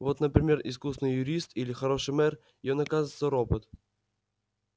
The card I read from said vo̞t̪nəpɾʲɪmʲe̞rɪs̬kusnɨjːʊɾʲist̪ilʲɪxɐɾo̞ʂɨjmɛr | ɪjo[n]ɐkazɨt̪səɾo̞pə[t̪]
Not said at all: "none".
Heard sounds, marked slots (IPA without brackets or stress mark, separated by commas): n, t̪